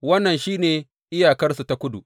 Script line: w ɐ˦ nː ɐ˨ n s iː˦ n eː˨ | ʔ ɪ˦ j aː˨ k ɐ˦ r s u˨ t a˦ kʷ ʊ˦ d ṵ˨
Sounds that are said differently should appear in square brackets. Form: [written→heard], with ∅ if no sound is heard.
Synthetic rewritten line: w ɐ˦ nː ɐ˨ n [s→ʃ] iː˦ n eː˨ | ʔ ɪ˦ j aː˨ k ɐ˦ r s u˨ t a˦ kʷ ʊ˦ d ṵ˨